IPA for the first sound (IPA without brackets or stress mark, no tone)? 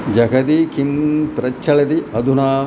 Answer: d͡ʒ